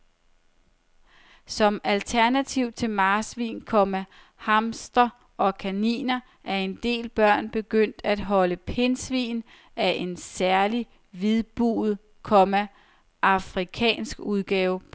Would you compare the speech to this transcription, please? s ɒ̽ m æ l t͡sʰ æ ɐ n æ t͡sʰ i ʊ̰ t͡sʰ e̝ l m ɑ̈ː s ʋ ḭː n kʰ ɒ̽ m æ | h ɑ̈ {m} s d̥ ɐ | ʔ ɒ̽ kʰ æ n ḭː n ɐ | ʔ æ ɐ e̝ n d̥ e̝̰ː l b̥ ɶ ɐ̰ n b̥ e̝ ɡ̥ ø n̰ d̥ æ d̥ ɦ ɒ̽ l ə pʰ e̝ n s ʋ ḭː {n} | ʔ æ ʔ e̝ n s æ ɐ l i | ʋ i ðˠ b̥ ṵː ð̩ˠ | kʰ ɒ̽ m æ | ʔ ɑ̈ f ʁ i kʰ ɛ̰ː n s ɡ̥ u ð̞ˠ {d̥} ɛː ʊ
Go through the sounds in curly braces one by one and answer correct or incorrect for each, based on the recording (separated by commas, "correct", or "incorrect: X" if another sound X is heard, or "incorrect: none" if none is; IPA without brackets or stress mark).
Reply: correct, correct, incorrect: ɡ̥